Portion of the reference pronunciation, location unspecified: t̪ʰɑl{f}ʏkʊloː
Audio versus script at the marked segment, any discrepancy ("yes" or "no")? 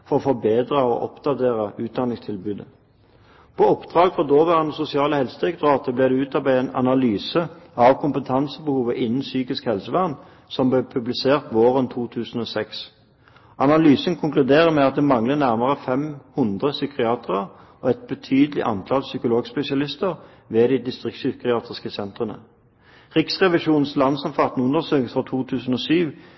yes